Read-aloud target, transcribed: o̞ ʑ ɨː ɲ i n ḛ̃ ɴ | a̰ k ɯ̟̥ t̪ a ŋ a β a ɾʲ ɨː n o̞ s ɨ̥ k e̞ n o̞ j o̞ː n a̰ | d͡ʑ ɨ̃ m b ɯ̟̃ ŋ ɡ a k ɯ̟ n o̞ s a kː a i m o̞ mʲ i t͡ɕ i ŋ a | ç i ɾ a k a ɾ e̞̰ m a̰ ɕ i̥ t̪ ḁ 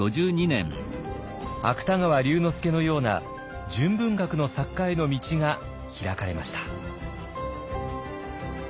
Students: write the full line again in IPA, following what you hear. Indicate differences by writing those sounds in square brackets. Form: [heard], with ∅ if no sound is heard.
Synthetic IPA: o̞ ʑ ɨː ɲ i n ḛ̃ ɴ | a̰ k ɯ̟̥ t̪ a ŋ a β a ɾʲ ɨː n o̞ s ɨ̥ k e̞ n o̞ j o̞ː n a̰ | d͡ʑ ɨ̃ m b ɯ̟̃ ŋ ɡ a k ɯ̟ n o̞ s a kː a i [n] o̞ mʲ i t͡ɕ i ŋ a | ç i ɾ a k a ɾ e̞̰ m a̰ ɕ i̥ t̪ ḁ